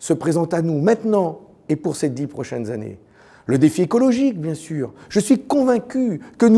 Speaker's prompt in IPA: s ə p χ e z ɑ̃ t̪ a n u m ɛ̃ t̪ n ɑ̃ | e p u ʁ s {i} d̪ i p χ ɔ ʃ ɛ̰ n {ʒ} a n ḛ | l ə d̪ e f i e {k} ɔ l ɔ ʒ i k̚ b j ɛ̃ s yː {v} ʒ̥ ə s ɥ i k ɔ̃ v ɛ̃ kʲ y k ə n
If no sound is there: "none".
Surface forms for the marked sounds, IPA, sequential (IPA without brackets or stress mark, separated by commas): e, z, k, ʁ